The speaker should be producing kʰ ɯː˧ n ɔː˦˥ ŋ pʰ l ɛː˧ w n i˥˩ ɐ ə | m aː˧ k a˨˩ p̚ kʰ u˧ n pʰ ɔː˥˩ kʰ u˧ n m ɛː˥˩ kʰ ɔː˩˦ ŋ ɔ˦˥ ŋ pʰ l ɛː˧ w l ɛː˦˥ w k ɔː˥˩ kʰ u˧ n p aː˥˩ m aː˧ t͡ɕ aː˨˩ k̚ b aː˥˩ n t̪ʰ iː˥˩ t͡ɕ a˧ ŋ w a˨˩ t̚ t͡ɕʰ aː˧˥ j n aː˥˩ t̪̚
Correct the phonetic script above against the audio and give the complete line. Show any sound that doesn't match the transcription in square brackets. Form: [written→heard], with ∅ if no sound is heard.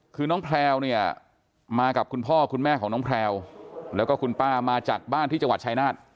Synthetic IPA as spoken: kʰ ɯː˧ n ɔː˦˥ ŋ pʰ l ɛː˧ w n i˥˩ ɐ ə | m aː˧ k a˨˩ p̚ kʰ u˧ n pʰ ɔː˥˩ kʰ u˧ n m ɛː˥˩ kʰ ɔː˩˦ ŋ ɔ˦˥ ŋ pʰ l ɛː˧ w l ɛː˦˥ w k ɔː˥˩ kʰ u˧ n p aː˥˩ m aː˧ t͡ɕ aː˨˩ k̚ b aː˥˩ n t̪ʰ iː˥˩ t͡ɕ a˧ ŋ w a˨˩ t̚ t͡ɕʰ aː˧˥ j n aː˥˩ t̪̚